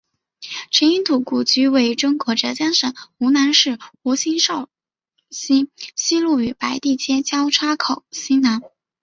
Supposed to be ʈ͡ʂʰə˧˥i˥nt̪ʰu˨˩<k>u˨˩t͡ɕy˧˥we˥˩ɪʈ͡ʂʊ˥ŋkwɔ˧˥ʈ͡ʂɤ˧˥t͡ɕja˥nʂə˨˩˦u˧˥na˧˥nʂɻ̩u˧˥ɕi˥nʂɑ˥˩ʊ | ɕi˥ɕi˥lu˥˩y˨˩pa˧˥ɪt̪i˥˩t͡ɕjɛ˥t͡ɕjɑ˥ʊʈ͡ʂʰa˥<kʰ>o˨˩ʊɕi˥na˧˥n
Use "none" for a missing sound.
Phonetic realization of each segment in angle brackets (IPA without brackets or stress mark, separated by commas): k, kʰ